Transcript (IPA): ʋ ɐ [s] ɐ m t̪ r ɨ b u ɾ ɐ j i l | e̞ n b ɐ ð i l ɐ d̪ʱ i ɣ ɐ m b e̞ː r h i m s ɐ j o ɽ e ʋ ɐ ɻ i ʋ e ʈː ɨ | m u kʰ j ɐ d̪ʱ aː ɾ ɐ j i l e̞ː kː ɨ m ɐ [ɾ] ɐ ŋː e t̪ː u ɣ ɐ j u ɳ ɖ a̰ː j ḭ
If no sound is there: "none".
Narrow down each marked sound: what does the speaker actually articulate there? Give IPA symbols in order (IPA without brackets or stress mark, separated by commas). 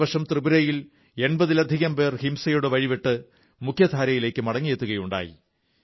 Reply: ʂ, ɽ